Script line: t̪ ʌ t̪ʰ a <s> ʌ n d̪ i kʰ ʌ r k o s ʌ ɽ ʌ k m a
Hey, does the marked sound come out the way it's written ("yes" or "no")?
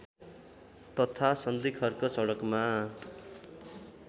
yes